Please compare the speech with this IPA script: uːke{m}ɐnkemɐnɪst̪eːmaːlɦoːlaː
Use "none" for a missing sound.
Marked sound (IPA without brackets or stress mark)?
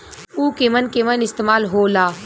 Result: m